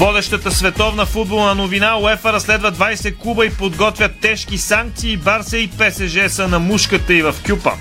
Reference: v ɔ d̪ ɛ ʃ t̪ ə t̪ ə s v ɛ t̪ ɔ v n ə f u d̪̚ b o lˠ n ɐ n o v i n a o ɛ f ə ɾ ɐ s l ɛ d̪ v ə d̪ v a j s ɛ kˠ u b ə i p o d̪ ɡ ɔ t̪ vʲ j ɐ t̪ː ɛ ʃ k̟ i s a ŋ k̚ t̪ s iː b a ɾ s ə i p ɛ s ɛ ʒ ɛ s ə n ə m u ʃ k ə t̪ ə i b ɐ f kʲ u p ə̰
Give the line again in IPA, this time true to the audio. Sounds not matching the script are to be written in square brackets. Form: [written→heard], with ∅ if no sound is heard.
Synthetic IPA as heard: v ɔ d̪ ɛ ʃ t̪ ə t̪ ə s v ɛ t̪ ɔ v n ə f u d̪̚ b o lˠ n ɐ n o v i n a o ɛ f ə ɾ ɐ s l ɛ d̪ v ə d̪ v a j s ɛ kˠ u b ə i p o d̪ ɡ ɔ t̪ vʲ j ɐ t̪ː ɛ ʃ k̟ i s a ŋ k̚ t̪ s iː b a ɾ s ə i p ɛ s ɛ ʒ ɛ s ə n [ə→ɐ] m u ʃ k ə t̪ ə i [b→v] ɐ f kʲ u p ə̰